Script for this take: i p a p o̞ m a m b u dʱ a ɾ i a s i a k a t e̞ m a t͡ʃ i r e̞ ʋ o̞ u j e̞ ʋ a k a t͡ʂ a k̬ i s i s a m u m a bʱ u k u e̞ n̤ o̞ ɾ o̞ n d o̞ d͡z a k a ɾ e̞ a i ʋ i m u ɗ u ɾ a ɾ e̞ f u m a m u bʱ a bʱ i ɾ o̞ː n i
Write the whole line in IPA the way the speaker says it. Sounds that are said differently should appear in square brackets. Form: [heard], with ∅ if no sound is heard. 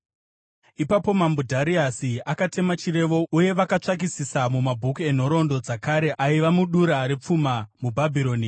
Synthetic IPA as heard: i p a p o̞ m a m b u dʱ a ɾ i a s i a k a t e̞ m a t͡ʃ i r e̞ ʋ o̞ u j e̞ ʋ a k a t͡ʂ a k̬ i s i s a m u m a bʱ u k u e̞ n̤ o̞ ɾ o̞ n d o̞ d͡z a k a ɾ e̞ a i ʋ [a] m u ɗ u ɾ a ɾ e̞ [p͡f] u m a m u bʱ a bʱ i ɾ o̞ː n i